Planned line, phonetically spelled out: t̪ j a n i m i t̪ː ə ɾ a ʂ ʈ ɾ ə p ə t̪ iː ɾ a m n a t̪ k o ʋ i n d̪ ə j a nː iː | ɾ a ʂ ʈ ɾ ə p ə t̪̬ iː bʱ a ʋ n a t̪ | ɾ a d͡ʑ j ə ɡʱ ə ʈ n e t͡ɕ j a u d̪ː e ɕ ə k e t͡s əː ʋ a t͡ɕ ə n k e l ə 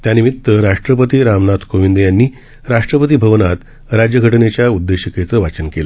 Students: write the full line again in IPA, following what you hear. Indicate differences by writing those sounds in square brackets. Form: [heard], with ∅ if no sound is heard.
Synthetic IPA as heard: t̪ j a n i m i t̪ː ə ɾ a ʂ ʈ ɾ ə p ə t̪ iː ɾ a m n a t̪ k o ʋ i n d̪ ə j a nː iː | ɾ a ʂ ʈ ɾ ə p ə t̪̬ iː bʱ [ə] ʋ n a t̪ | ɾ a d͡ʑ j ə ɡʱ ə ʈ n e t͡ɕ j a u d̪ː e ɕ ə k e t͡s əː ʋ a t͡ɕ ə n k e l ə